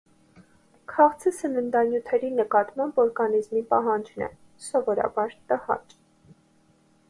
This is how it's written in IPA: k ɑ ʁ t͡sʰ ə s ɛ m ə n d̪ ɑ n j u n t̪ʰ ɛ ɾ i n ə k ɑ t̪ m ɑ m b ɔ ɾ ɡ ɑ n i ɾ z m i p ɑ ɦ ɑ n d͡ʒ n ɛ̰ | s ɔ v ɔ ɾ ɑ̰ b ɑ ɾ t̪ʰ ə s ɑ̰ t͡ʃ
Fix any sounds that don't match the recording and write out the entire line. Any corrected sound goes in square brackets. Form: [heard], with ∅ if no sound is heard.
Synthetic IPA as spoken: [kʰ] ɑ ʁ t͡sʰ ə s ɛ m ə n d̪ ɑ n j u [∅] t̪ʰ ɛ ɾ i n ə k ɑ t̪ m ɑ m b ɔ ɾ ɡ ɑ n i [∅] z m i p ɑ ɦ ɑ n d͡ʒ n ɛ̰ | s ɔ v ɔ ɾ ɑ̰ b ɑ ɾ [t̪] ə [h] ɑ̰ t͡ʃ